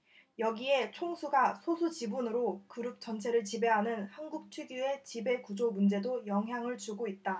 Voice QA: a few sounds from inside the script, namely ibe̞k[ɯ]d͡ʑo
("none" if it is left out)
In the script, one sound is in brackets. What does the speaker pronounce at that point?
u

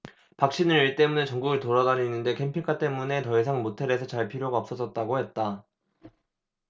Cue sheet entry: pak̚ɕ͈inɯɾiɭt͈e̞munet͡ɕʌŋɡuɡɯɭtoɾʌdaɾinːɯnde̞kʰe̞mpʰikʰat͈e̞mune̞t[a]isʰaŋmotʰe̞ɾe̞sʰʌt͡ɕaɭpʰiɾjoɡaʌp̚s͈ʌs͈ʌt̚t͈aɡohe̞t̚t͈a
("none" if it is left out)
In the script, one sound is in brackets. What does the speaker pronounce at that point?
ʌ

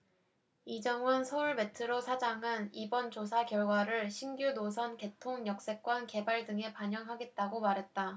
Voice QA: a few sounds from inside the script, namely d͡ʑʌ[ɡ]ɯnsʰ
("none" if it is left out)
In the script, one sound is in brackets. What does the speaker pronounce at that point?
ŋ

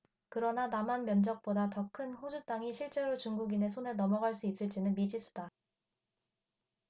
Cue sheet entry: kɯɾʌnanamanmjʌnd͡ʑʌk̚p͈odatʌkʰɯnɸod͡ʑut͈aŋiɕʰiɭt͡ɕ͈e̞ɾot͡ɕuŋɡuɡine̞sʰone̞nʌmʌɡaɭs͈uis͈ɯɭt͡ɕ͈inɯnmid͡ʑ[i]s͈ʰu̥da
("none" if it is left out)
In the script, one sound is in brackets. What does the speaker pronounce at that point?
i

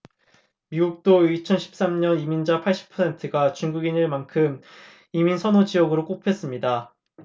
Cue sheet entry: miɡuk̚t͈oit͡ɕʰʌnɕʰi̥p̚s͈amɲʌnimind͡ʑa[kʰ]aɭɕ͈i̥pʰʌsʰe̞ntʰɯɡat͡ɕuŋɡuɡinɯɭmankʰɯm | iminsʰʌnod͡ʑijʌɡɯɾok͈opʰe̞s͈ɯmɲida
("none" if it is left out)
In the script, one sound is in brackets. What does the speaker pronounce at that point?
pʰ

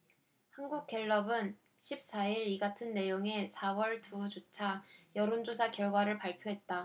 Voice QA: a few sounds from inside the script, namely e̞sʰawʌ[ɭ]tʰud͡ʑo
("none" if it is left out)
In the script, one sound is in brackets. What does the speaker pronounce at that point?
ɭ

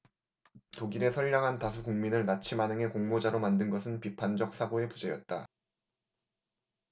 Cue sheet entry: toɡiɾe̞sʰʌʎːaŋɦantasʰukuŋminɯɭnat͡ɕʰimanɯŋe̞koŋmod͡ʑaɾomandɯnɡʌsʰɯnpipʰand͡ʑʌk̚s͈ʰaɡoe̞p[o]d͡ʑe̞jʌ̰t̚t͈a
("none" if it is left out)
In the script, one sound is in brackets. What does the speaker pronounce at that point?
u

